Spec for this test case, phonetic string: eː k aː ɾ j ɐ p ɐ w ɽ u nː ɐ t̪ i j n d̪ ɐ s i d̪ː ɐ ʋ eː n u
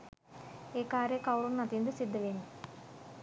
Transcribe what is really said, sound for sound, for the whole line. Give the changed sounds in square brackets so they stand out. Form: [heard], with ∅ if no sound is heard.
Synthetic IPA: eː k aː ɾ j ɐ [k] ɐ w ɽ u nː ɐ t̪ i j n d̪ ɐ s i d̪ː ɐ ʋ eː n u